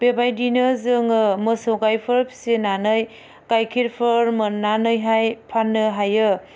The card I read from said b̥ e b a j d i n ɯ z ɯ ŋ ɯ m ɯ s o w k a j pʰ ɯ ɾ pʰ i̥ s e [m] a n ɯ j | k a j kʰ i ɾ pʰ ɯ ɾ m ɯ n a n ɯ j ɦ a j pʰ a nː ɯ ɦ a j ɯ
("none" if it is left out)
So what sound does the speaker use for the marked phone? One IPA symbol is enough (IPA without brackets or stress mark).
n